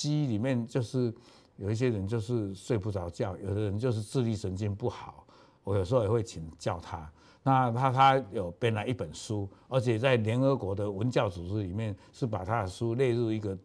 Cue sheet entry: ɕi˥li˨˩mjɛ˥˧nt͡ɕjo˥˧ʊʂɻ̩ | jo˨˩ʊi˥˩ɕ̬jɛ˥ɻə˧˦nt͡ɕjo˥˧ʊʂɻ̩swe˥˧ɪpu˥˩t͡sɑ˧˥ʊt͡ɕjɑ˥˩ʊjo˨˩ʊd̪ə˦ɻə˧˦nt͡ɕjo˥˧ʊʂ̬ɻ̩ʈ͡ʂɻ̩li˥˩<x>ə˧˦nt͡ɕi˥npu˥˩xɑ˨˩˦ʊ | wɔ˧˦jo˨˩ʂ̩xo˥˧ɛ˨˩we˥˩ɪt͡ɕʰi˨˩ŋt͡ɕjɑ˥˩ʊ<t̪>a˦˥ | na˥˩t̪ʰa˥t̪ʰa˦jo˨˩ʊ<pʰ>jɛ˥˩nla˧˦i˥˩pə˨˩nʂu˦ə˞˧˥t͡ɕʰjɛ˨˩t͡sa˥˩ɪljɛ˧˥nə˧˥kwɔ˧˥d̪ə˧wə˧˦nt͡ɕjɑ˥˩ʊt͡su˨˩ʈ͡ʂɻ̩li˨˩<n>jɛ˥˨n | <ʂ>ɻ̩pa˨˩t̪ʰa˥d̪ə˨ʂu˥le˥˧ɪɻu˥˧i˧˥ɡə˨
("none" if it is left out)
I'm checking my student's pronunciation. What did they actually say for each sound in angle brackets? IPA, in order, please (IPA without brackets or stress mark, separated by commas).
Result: ʂ, t̪ʰ, p, m, ʂ